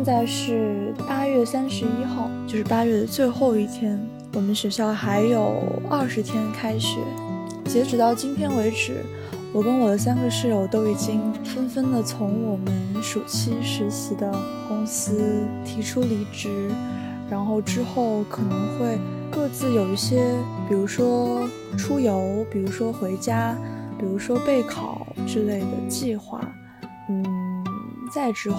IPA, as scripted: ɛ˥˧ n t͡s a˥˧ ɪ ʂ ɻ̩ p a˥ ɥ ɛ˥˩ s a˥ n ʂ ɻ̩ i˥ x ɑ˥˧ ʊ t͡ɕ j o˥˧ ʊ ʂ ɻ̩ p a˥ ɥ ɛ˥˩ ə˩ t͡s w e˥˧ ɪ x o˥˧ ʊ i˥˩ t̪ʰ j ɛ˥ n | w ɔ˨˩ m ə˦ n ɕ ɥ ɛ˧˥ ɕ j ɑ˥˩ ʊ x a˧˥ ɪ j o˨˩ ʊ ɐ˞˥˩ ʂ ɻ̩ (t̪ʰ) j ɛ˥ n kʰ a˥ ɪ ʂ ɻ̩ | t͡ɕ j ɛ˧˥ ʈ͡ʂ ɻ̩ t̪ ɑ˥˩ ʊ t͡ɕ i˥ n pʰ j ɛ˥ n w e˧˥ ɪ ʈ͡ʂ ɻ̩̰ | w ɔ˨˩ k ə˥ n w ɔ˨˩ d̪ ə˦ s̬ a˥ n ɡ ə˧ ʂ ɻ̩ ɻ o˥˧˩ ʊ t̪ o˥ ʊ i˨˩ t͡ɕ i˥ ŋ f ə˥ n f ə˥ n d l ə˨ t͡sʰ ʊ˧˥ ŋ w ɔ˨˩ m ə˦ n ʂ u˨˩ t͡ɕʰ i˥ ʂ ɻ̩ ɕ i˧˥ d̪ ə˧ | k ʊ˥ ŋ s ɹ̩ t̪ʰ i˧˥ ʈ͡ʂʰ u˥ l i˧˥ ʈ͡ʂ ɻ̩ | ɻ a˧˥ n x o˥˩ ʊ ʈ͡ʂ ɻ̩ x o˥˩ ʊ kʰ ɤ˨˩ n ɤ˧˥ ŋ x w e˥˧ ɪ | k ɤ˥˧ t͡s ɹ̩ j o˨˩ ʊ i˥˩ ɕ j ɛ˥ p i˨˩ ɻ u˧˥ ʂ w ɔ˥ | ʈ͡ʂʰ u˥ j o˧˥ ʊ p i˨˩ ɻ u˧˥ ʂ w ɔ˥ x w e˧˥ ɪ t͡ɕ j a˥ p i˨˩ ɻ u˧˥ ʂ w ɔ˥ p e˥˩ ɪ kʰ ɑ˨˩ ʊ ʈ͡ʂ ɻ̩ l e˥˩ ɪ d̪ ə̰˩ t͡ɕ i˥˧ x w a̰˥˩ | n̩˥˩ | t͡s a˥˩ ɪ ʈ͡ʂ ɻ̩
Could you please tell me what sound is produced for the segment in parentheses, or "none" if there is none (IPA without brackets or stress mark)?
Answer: t̪ʰ